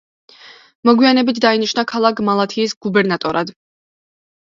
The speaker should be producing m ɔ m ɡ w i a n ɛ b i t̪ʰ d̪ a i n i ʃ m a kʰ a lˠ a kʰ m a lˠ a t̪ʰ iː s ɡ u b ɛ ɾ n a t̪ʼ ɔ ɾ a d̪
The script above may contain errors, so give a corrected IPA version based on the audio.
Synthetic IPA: m ɔ ɡ w i a n ɛ b i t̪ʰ d̪ a i n i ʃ n a kʰ a lˠ a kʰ m a lˠ a t̪ʰ iː s ɡ u b ɛ ɾ n a t̪ʼ ɔ ɾ a d̪